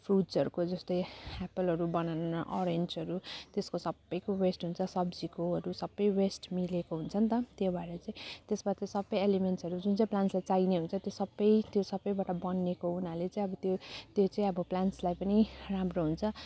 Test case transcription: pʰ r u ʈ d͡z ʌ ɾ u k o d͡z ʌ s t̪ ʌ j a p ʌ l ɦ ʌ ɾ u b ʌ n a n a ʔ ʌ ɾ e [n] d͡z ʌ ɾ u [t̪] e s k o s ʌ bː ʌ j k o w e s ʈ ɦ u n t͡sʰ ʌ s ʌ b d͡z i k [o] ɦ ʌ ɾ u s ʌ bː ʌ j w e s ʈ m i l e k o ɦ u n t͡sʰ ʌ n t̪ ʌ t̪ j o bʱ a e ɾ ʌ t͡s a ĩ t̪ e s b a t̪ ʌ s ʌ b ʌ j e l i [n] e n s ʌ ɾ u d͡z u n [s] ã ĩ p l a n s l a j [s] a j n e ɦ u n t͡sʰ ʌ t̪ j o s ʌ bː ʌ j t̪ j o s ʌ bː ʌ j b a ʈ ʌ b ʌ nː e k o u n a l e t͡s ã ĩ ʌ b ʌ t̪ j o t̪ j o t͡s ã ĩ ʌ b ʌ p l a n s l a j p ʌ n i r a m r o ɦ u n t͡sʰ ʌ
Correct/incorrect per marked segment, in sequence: correct, correct, correct, incorrect: m, incorrect: t͡s, incorrect: t͡s

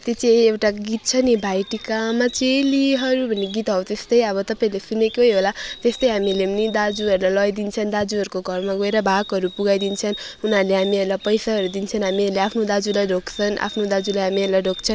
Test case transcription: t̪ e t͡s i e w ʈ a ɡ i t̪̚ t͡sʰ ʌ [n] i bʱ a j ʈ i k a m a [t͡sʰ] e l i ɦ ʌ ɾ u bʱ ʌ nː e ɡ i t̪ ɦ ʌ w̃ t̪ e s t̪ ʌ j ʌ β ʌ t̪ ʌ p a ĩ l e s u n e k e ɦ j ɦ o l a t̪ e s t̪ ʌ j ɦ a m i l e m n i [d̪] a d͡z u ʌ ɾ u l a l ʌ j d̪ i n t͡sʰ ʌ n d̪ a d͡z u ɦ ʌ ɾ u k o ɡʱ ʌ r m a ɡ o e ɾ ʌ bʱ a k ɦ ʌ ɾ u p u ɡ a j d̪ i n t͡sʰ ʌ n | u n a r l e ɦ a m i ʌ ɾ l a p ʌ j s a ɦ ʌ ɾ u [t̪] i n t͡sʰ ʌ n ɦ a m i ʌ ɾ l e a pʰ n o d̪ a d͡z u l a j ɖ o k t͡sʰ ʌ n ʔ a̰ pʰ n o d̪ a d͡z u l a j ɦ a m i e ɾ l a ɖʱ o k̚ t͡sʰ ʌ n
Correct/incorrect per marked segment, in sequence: correct, incorrect: t͡s, correct, incorrect: d̪

